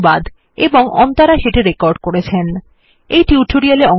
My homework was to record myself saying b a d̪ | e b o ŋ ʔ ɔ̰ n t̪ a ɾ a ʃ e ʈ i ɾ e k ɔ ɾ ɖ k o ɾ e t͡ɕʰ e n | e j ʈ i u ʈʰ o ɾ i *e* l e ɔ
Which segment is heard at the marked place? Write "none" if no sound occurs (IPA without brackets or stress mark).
a